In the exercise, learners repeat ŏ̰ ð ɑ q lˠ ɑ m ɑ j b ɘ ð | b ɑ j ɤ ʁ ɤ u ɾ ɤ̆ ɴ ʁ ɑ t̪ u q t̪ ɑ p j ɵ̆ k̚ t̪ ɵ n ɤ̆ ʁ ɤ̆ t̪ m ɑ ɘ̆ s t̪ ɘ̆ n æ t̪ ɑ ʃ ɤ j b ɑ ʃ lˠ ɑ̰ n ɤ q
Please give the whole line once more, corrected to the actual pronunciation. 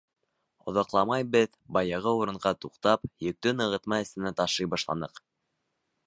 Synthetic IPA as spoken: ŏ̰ ð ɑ q lˠ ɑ m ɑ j b ɘ ð | b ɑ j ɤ ʁ ɤ u ɾ ɤ̆ ɴ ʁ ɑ t̪ u q t̪ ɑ p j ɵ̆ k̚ t̪ ɵ n ɤ̆ ʁ ɤ̆ t̪ m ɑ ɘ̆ s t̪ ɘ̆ n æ t̪ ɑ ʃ ɤ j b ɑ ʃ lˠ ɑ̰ n ɤ q